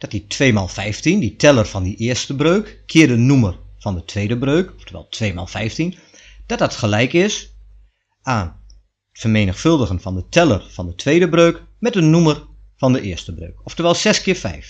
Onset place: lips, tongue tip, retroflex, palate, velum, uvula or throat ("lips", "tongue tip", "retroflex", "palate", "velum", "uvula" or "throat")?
tongue tip